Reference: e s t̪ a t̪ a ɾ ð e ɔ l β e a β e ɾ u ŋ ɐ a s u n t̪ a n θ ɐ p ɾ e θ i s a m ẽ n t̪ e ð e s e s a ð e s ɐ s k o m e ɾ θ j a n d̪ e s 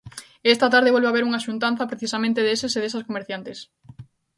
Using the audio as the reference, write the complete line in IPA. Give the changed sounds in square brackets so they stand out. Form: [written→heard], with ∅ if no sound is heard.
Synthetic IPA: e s t̪ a t̪ a ɾ ð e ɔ l β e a β e ɾ u ŋ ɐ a [s→ʃ] u n t̪ a n θ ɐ p ɾ e θ i s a m ẽ n t̪ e ð e s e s [a→e] ð e s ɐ s k o m e ɾ θ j a n [d̪→t̪] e s